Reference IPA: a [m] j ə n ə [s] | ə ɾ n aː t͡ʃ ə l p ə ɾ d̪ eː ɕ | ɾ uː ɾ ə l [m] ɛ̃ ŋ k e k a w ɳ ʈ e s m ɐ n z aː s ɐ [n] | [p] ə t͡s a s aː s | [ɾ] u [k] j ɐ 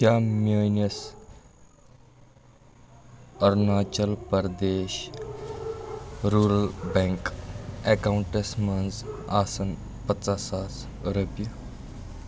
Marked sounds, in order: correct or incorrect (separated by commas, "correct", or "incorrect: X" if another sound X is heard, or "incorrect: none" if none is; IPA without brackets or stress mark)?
correct, correct, incorrect: b, correct, correct, correct, incorrect: p